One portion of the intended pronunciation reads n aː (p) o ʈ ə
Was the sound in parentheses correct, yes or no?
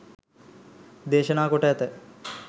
no